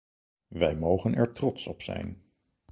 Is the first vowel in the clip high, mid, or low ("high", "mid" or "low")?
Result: mid